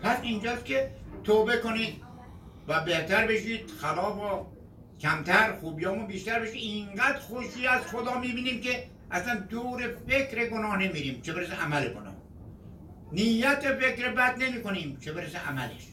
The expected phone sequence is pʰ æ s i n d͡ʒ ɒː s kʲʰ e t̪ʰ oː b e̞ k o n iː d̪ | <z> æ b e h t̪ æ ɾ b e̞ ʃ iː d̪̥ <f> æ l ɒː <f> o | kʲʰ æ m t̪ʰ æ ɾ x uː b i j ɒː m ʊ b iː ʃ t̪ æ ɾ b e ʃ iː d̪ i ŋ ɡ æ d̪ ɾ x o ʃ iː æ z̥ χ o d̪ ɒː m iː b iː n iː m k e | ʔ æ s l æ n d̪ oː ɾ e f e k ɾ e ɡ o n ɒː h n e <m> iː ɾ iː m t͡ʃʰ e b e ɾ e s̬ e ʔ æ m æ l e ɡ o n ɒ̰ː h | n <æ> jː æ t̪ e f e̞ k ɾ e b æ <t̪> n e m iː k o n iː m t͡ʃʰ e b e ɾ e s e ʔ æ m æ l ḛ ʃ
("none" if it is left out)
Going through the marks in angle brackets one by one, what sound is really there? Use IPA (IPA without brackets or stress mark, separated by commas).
v, x, f, m, i, d̪